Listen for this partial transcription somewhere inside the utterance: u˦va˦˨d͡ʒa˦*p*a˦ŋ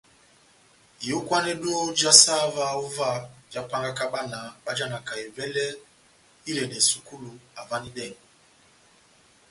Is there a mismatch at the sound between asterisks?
no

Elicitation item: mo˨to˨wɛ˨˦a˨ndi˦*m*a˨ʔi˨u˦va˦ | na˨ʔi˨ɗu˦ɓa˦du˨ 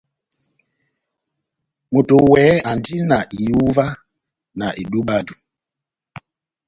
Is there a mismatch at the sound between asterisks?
yes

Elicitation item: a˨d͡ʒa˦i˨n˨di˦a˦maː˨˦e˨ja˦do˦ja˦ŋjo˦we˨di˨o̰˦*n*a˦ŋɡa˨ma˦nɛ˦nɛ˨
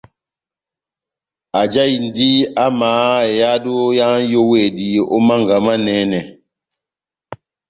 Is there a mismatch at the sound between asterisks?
yes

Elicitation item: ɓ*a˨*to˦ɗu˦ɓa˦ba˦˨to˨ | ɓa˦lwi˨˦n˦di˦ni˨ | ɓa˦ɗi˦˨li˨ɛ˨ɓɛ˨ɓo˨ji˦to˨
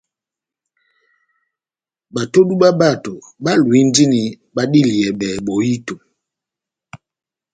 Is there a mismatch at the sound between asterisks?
no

